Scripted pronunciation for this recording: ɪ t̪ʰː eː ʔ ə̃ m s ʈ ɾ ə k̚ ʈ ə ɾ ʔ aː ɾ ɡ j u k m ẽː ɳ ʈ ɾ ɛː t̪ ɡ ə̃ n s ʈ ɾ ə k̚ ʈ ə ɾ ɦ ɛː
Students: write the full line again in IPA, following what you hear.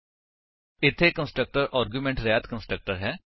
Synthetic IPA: ɪ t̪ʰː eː k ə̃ n s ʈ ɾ ə k̚ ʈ ə ɾ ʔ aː ɾ ɡ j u m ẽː ɳ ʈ ɾ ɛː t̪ k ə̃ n s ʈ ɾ ə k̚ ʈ ə ɾ ɦ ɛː